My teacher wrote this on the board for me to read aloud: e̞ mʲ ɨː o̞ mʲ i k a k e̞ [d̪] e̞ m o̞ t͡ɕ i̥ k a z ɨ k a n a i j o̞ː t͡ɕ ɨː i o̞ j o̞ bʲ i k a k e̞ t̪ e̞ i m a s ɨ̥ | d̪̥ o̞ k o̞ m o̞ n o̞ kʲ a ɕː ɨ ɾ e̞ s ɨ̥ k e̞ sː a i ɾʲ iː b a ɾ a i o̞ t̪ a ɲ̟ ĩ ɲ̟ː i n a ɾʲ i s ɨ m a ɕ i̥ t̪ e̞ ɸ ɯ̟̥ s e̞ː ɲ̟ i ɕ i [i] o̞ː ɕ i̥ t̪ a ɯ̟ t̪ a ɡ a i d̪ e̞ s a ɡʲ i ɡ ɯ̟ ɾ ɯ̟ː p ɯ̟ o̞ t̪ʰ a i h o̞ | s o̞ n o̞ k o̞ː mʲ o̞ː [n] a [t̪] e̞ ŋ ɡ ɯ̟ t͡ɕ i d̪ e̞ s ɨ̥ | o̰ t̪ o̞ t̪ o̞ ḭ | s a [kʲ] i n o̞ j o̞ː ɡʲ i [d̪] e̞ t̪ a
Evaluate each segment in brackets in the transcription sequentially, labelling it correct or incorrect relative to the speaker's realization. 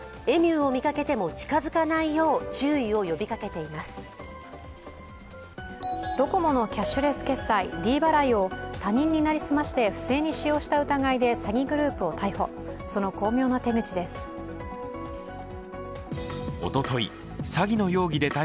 incorrect: t̪, incorrect: j, correct, correct, incorrect: ɡʲ, correct

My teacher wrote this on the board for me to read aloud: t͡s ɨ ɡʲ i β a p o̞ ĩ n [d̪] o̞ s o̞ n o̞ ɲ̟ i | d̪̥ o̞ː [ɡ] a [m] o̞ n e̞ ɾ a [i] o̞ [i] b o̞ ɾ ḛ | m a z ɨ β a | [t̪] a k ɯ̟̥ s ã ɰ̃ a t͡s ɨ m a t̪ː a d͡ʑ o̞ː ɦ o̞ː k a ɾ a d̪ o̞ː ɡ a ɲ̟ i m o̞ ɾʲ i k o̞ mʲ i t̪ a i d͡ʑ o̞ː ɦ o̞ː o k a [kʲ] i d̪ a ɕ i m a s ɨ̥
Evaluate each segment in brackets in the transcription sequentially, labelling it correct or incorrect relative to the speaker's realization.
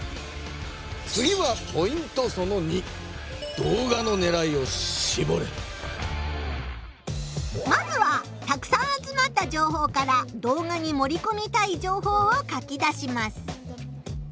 incorrect: t̪, correct, incorrect: n, correct, correct, correct, correct

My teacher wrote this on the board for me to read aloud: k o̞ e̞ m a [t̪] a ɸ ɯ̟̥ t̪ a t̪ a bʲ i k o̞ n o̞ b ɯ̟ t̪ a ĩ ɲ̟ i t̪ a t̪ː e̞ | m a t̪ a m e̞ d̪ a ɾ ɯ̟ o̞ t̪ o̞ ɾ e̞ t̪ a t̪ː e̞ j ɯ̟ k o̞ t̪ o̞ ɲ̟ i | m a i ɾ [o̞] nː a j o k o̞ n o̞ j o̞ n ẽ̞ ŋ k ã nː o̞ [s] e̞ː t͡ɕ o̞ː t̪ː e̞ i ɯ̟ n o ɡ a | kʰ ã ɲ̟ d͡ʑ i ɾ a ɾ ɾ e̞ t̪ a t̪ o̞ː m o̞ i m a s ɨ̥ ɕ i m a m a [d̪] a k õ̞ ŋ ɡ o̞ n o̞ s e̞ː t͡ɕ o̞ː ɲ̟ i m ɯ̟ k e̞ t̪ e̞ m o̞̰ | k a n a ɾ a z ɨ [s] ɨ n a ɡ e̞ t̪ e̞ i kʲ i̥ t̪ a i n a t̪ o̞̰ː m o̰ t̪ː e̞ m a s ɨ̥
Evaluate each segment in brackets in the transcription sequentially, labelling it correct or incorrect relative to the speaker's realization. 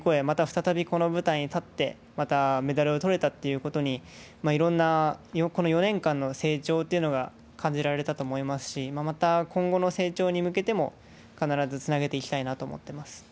correct, incorrect: õ̞, correct, incorrect: t̪, incorrect: t͡s

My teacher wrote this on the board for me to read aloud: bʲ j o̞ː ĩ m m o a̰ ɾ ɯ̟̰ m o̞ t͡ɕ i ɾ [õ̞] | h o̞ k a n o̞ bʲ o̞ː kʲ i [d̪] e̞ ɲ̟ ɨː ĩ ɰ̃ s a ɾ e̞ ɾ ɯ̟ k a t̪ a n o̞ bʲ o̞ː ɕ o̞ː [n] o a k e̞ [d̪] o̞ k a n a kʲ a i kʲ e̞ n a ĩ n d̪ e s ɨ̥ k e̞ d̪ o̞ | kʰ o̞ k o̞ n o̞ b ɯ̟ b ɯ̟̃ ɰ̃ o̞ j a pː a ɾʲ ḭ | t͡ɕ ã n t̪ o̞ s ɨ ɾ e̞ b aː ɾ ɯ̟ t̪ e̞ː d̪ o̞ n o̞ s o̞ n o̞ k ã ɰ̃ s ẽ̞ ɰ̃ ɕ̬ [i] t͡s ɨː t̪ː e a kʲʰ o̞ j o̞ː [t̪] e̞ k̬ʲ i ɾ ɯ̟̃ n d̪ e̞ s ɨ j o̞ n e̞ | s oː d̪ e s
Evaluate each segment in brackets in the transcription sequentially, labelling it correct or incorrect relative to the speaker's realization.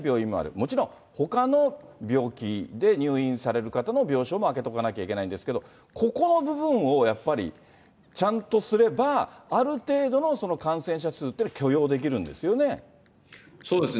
correct, correct, incorrect: m, incorrect: t̪, incorrect: a, incorrect: d̪

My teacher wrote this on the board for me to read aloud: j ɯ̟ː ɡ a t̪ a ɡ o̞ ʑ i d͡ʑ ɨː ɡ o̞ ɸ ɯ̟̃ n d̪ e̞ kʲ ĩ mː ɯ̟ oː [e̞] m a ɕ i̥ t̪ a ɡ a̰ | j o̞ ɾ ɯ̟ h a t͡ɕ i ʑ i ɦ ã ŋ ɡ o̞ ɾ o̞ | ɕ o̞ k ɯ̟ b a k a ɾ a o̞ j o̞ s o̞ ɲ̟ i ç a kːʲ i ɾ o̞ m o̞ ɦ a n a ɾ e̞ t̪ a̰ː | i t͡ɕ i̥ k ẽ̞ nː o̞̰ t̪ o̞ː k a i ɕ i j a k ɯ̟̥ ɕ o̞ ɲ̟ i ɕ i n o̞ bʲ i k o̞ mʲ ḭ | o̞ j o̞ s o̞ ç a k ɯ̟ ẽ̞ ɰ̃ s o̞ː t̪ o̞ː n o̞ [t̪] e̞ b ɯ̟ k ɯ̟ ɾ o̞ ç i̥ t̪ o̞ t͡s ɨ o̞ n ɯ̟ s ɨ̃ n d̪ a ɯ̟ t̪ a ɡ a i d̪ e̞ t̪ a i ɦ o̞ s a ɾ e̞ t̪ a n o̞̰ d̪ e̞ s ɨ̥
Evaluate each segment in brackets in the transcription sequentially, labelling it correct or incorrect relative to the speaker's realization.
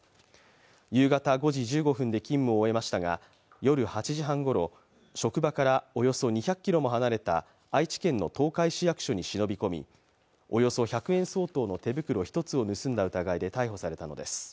correct, correct

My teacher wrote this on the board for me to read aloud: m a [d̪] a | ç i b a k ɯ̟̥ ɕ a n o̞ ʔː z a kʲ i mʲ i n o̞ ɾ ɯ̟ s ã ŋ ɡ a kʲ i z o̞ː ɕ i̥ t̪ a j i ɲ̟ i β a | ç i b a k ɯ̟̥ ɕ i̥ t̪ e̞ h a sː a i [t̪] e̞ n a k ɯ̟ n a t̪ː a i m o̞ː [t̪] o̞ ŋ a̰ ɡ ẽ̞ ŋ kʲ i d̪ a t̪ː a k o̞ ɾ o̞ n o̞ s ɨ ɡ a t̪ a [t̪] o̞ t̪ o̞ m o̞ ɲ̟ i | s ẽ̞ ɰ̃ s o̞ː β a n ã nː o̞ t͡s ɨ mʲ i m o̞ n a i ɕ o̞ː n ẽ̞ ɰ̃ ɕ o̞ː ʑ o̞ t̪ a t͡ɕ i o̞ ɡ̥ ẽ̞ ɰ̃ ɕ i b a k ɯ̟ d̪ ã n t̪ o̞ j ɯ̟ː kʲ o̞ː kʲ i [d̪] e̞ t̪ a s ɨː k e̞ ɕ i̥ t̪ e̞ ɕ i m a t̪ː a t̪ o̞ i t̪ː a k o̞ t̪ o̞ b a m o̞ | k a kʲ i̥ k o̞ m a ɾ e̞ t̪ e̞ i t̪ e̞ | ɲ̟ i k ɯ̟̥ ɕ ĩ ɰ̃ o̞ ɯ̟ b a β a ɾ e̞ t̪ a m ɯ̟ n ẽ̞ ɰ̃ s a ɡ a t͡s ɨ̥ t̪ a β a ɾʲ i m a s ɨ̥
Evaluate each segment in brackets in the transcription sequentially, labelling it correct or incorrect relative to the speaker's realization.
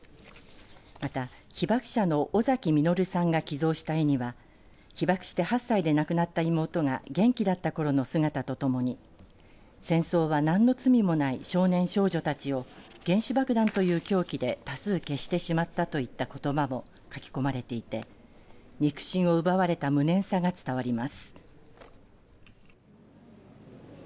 incorrect: t̪, incorrect: d̪, correct, correct, correct

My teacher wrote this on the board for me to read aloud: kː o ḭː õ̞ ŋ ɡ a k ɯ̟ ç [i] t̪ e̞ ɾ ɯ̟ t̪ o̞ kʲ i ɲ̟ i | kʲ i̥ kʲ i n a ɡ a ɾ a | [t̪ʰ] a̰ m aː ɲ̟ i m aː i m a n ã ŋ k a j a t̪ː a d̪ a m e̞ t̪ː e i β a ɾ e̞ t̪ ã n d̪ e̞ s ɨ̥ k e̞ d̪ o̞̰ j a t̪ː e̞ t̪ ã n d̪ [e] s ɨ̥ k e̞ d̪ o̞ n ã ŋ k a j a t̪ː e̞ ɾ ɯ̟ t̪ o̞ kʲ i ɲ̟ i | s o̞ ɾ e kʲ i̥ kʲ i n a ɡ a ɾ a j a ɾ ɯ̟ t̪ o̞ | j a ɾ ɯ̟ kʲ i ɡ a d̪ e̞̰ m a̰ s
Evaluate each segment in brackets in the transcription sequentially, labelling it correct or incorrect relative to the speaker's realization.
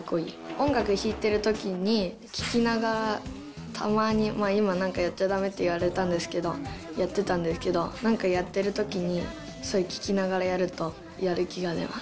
incorrect: iː, correct, correct

